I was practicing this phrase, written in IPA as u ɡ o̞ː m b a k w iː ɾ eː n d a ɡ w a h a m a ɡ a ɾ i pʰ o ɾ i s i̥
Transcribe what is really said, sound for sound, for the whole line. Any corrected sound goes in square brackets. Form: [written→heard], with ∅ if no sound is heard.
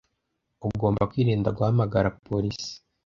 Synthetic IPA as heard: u ɡ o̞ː m b a k w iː ɾ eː n d a ɡ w a h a m a ɡ a ɾ [i→a] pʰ o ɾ i s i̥